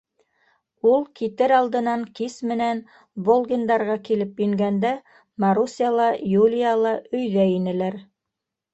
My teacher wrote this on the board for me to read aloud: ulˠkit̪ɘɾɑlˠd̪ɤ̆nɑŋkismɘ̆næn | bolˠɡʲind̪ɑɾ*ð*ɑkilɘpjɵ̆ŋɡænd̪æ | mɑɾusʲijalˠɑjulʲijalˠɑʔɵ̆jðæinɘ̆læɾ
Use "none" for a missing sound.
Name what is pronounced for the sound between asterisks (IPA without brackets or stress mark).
ʁ